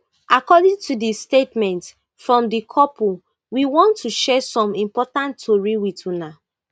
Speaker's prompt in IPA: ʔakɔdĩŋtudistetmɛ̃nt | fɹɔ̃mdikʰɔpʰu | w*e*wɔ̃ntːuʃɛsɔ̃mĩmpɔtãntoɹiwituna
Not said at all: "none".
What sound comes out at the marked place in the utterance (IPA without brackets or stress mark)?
i